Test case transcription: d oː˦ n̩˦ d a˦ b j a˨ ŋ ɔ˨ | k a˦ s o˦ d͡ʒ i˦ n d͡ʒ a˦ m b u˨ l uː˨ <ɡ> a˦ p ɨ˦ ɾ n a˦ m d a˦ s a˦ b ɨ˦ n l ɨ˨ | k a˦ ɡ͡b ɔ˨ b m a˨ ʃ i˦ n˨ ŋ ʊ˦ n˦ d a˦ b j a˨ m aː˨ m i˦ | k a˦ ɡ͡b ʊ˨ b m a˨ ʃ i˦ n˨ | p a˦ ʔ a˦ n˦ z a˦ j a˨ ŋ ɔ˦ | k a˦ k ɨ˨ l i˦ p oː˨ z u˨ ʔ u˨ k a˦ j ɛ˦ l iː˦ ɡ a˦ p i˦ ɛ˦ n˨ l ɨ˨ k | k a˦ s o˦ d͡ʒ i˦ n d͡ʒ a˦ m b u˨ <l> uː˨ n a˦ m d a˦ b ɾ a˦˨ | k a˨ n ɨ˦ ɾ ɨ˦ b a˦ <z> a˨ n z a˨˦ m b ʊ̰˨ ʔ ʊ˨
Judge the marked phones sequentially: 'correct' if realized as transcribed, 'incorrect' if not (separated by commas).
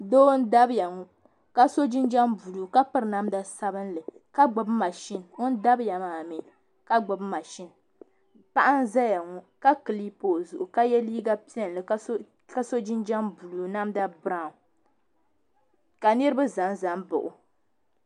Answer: incorrect, correct, correct